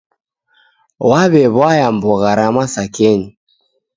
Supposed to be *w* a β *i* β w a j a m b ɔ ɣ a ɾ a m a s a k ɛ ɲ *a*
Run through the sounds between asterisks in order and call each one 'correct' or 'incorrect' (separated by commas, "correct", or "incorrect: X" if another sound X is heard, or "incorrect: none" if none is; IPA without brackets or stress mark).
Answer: correct, incorrect: ɛ, incorrect: i